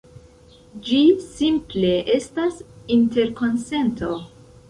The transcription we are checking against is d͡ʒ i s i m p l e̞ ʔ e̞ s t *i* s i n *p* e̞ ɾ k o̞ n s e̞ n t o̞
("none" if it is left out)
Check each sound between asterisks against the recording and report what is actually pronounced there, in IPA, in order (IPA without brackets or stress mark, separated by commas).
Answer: a, t